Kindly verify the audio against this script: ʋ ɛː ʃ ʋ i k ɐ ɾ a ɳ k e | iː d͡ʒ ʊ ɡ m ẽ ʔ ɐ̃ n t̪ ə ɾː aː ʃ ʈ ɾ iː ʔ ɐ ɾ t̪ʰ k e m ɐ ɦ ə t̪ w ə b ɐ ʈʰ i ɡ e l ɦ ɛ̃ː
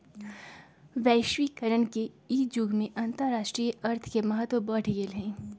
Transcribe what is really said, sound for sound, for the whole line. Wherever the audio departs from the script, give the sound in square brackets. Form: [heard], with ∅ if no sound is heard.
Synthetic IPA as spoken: ʋ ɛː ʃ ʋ i k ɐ ɾ [ə] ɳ k e | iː d͡ʒ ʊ ɡ m ẽ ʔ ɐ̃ n t̪ ə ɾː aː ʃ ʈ ɾ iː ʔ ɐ ɾ t̪ʰ k e m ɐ ɦ ə t̪ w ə b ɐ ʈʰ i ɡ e l ɦ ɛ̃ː